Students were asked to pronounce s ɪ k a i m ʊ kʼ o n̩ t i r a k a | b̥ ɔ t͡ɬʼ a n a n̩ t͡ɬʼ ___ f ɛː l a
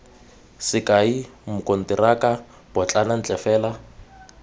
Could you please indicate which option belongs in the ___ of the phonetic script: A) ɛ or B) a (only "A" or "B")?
A